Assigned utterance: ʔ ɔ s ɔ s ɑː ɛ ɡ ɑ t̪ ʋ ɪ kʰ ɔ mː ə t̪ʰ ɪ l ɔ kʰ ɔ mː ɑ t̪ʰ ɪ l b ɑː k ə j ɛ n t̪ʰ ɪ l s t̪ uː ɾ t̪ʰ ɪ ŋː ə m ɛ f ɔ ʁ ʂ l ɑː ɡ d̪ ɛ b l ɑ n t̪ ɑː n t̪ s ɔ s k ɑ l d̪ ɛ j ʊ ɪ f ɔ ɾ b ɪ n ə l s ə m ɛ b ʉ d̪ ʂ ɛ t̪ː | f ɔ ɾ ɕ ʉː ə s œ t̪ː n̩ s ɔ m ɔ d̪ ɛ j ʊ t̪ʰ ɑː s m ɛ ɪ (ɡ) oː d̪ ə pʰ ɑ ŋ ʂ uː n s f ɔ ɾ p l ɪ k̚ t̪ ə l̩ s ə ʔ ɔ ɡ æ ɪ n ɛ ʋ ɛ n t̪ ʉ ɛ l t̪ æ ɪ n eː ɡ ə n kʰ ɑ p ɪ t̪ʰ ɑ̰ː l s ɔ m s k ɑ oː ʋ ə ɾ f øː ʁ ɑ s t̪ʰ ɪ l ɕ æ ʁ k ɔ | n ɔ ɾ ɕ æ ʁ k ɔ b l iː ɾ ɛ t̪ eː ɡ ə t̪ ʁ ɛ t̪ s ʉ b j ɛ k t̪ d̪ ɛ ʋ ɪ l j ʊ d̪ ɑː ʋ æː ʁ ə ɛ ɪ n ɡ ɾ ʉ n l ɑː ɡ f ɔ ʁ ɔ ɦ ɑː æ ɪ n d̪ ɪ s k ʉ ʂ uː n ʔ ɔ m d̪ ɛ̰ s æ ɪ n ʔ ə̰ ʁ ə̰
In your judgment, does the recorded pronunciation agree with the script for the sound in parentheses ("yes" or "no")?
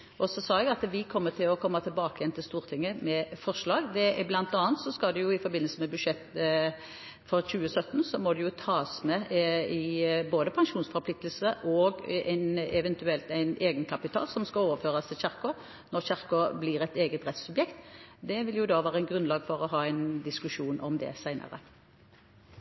no